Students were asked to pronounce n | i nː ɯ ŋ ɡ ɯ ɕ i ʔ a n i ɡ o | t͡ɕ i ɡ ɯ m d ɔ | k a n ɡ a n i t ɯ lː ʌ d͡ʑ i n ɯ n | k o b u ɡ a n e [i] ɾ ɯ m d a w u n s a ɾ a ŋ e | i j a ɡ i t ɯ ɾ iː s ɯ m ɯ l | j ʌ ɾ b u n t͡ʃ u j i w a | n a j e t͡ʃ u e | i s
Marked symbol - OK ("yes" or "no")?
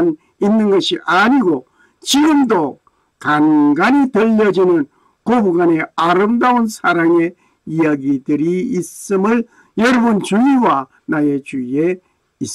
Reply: no